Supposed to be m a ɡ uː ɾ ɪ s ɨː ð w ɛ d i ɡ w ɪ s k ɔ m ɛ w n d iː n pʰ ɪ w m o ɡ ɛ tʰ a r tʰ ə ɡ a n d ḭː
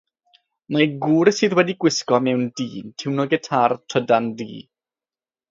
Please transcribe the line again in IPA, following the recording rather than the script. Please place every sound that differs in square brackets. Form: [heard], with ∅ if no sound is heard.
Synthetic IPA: m a ɡ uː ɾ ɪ s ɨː ð w ɛ d i ɡ w ɪ s k ɔ m ɛ w n d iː n [tʰ] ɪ w [n] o ɡ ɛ tʰ a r tʰ ə [d] a n d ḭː